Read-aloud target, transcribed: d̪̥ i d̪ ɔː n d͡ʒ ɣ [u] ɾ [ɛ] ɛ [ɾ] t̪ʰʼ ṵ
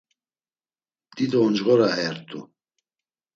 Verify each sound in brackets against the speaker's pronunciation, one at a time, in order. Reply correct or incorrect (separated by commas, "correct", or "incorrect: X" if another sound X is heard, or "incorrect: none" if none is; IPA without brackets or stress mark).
incorrect: ɔ, incorrect: a, correct